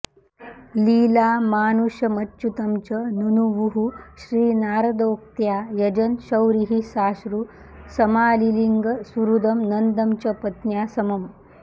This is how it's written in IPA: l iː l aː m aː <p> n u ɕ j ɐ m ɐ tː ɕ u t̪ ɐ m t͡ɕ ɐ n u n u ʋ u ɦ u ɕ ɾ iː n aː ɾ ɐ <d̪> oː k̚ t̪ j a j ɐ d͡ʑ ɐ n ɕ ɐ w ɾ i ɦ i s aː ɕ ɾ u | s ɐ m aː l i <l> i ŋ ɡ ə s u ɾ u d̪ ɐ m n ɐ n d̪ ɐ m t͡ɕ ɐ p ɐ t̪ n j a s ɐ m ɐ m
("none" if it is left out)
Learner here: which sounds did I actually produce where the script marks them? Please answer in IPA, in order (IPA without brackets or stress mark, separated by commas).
none, d̪, l